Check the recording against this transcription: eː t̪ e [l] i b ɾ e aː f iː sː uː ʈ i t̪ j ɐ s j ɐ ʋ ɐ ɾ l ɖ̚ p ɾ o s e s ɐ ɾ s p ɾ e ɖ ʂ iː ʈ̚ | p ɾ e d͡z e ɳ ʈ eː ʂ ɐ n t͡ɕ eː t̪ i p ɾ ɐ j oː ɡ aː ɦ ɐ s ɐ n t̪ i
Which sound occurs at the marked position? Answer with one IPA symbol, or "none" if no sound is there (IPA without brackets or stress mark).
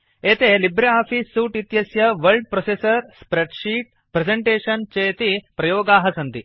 l